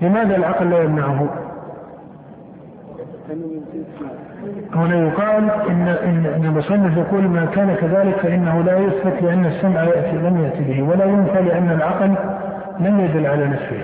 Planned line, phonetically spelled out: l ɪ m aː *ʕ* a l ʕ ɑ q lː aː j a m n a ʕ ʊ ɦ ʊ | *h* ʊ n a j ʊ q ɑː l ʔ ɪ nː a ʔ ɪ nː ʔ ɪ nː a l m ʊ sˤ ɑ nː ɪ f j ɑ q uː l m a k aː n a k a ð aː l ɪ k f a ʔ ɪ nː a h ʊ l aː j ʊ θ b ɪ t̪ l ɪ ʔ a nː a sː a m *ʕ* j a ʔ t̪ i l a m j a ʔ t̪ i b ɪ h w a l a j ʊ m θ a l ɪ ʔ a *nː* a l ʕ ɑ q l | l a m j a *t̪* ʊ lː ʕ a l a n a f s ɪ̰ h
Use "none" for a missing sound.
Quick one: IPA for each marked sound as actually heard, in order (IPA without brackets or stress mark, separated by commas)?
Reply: ð, h, ʕ, nː, d̪